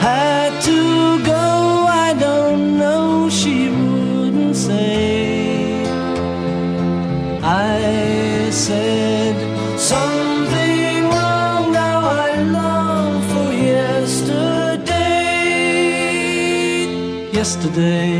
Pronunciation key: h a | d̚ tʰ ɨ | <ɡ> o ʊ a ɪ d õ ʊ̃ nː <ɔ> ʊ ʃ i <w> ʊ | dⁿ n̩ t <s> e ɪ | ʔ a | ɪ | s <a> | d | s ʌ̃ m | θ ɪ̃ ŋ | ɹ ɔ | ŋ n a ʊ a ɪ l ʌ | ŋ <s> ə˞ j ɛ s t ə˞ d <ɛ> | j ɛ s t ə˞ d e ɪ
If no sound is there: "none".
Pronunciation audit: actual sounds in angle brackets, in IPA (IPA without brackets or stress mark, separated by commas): ɡ, o, w, s, ɛ, f, e